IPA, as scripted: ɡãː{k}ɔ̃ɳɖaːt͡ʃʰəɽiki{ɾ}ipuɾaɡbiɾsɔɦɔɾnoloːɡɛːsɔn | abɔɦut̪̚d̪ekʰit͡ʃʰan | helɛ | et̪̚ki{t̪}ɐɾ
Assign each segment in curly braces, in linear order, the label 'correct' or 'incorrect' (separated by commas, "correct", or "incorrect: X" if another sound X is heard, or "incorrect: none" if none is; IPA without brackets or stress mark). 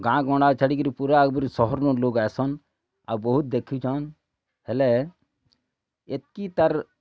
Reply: incorrect: ɡ, correct, correct